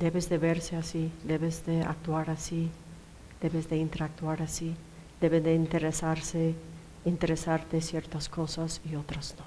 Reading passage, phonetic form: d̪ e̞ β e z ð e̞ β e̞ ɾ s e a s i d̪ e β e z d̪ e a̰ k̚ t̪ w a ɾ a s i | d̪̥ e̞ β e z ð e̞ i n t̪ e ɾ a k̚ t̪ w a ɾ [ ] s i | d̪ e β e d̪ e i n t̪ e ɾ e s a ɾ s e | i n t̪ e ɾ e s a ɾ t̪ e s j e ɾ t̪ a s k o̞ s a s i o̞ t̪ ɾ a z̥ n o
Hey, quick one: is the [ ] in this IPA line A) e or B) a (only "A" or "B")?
B